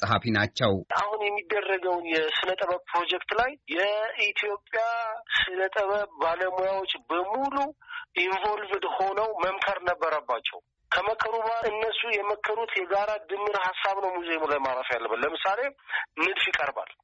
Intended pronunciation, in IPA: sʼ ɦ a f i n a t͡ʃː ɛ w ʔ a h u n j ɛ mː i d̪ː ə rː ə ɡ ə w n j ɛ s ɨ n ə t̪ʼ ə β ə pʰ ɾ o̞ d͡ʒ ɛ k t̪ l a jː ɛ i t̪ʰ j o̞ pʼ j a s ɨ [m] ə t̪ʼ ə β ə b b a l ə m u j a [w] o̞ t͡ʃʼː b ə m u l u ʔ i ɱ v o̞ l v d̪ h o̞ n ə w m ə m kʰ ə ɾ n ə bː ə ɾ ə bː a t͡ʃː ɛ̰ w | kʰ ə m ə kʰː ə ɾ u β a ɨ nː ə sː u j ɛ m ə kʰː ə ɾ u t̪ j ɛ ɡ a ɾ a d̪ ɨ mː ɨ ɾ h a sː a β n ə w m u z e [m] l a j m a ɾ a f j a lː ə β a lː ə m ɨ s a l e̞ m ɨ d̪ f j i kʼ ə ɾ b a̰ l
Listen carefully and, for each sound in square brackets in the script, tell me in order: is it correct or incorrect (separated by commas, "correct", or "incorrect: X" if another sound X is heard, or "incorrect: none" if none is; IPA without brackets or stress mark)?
incorrect: n, correct, correct